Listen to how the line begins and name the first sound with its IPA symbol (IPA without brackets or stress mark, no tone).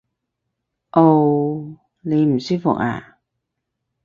ʔ